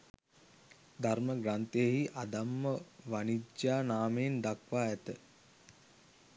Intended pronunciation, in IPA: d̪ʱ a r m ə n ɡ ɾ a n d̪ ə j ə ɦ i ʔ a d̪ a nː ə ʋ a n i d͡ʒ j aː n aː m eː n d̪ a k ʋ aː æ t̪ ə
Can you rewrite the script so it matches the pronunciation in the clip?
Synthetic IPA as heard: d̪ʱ a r m ə ɡ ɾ a n t̪ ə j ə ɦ i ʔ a d̪ a mː ə ʋ a n i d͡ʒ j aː n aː m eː n d̪ a k ʋ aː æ t̪ ə